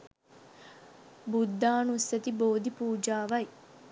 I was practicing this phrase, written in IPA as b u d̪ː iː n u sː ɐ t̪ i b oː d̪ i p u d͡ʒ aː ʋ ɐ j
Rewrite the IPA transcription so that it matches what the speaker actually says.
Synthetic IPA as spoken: b u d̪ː aː n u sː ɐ t̪ i b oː d̪ i p uː d͡ʒ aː ʋ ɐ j